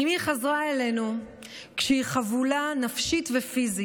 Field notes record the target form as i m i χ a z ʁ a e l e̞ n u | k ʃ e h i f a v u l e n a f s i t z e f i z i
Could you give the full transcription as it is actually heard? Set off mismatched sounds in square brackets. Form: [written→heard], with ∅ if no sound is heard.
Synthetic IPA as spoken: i m i χ a z ʁ a e l e̞ n u | k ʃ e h i [f→χ] a v u l [e→a] n a f [s→ʃ] i t [z→v] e f i z i